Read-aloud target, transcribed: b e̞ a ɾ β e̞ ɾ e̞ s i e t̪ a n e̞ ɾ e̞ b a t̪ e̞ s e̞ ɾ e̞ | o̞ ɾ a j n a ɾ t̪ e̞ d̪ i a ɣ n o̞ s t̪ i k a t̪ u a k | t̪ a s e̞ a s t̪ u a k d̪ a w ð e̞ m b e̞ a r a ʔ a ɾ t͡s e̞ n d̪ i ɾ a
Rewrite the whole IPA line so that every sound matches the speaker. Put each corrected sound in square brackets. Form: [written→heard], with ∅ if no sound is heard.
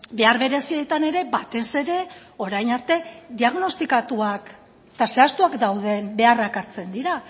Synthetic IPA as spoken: b e̞ a ɾ β e̞ ɾ e̞ s i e t̪ a n e̞ ɾ e̞ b a t̪ e̞ s e̞ ɾ e̞ | o̞ ɾ a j n a ɾ t̪ e̞ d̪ i a ɣ n o̞ s t̪ i k a t̪ u a k | t̪ a s e̞ a s t̪ u a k d̪ a w ð e̞ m b e̞ a r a [ʔ→k] a ɾ t͡s e̞ n d̪ i ɾ a